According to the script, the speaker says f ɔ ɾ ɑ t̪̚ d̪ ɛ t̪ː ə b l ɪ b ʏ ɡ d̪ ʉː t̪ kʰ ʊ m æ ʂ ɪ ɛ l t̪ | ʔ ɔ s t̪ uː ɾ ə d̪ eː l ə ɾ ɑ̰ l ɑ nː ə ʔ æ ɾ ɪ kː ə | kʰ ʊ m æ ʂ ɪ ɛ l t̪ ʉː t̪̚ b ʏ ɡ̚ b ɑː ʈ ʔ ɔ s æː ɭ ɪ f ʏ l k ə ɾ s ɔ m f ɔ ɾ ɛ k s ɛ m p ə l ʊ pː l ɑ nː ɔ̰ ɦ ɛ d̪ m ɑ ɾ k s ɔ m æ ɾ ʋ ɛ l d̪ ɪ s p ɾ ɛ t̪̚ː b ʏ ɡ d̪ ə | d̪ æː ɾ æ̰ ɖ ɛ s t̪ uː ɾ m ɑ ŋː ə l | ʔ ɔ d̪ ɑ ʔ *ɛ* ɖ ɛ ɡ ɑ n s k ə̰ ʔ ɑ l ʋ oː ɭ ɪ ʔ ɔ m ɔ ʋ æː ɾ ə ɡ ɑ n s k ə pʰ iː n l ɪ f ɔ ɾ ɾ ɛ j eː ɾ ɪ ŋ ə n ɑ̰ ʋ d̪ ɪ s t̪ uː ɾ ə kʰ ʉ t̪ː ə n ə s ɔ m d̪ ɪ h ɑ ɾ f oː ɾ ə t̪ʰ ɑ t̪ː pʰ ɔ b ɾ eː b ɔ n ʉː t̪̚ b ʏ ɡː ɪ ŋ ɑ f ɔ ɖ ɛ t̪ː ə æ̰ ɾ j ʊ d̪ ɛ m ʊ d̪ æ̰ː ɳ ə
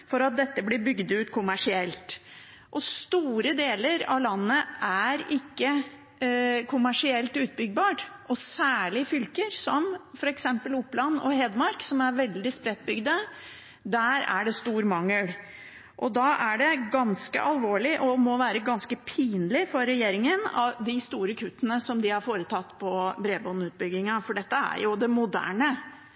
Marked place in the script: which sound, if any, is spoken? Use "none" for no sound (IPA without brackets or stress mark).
æ